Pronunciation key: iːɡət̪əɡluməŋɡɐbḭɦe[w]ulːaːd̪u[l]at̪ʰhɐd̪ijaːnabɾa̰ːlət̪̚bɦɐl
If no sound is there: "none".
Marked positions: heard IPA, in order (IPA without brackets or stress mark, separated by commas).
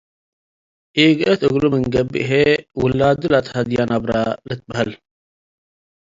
w, l